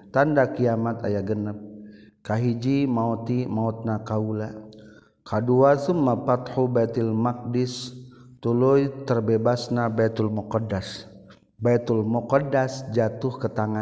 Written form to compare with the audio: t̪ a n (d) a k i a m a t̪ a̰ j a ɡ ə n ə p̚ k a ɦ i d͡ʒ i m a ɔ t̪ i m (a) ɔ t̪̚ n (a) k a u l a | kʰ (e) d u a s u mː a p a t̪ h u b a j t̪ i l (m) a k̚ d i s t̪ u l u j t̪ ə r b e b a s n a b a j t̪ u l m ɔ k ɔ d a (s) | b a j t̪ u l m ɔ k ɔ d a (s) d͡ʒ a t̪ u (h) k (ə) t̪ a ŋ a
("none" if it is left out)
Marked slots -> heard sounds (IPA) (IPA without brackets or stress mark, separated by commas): d, a, a, a, m, s, s, h, ə